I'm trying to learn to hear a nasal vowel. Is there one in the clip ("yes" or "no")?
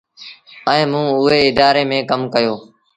yes